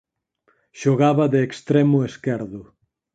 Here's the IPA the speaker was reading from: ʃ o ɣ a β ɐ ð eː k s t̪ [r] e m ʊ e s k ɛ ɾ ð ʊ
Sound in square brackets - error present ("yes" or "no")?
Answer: yes